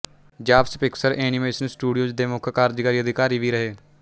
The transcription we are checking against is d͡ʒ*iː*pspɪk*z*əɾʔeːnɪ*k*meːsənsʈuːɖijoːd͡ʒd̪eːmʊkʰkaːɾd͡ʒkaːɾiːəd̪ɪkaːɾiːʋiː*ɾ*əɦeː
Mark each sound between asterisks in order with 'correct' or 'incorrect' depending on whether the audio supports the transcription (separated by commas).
incorrect, incorrect, incorrect, correct